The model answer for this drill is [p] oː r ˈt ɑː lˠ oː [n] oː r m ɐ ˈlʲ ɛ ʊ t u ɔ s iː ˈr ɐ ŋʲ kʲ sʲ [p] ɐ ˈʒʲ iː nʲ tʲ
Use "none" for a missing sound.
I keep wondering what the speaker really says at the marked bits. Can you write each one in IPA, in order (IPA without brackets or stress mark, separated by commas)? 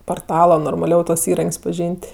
p, n, p